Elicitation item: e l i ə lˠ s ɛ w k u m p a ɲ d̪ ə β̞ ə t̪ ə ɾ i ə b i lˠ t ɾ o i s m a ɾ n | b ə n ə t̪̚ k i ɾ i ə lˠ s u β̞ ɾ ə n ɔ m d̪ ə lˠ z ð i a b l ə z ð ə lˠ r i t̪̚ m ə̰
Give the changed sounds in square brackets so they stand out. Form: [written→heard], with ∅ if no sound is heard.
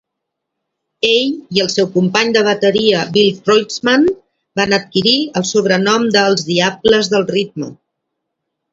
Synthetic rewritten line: e [l→ʎ] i ə lˠ s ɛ w k u m p a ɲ d̪ ə β̞ ə t̪ ə ɾ i ə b i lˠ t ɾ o [i→j] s m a [ɾ→∅] n | b [ə→a] n ə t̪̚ k i ɾ i ə lˠ s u β̞ ɾ ə n ɔ m d̪ ə lˠ z ð i a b l ə z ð ə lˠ r i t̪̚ m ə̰